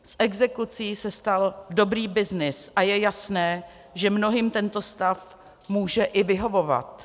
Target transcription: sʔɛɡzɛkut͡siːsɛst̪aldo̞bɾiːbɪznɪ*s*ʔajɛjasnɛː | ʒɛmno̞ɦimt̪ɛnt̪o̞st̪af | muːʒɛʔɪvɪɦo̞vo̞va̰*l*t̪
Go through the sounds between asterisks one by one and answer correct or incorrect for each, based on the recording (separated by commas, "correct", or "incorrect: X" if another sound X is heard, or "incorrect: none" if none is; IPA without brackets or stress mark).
correct, incorrect: none